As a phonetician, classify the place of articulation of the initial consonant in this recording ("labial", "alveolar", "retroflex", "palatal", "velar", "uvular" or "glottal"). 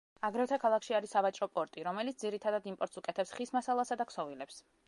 velar